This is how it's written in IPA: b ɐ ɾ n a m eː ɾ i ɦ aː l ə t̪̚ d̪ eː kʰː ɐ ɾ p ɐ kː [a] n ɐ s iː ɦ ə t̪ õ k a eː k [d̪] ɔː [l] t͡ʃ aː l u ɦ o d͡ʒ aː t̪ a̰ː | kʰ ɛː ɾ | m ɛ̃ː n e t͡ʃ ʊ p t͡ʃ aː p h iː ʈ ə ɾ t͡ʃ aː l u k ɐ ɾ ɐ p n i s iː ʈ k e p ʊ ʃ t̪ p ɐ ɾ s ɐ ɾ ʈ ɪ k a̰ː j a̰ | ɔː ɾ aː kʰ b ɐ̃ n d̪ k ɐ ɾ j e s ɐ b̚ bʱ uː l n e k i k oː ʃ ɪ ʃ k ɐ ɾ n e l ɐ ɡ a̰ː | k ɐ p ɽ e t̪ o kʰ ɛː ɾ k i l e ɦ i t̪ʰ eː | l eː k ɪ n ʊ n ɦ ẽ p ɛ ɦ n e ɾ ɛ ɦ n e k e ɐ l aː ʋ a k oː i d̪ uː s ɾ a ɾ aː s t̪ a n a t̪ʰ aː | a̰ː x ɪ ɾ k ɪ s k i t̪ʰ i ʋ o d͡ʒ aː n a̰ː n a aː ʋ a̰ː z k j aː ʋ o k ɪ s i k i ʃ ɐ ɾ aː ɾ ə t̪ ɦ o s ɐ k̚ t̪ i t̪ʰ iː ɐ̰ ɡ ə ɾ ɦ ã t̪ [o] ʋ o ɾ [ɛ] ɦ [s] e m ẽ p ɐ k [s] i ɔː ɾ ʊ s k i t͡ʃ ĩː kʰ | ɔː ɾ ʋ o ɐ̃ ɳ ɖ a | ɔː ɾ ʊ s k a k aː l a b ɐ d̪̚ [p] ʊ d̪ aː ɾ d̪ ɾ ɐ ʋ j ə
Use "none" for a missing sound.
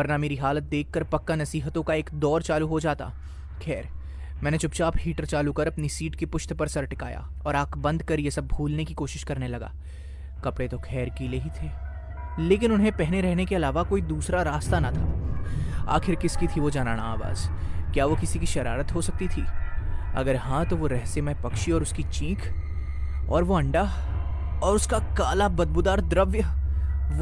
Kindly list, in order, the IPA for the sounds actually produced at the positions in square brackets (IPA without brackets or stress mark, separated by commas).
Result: a, d̪, ɾ, o, ɛ, s, ʃ, b